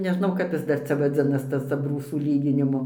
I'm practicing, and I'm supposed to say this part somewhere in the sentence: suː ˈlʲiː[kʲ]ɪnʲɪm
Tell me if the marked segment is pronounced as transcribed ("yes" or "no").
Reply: no